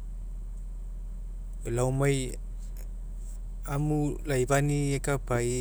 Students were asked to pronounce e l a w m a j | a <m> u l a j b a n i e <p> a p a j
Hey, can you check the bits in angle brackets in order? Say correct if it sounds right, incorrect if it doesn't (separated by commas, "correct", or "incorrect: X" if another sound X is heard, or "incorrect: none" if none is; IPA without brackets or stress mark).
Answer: correct, incorrect: k